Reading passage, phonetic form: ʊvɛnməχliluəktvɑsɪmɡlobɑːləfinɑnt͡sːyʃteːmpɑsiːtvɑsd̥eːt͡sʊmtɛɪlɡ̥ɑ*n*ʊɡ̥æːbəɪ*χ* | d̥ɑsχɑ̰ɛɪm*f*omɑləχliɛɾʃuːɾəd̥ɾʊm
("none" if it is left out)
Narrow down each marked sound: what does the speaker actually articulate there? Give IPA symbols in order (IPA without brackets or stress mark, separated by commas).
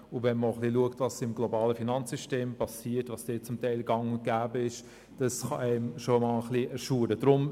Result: ŋ, ʃ, ʃ